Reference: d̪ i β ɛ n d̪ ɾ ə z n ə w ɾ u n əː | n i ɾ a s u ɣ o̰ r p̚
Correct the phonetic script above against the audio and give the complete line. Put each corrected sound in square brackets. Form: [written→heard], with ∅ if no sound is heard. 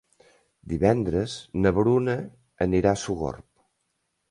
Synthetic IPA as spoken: d̪ i β ɛ n d̪ ɾ ə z n ə [w→β] ɾ u n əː | n i ɾ a s u ɣ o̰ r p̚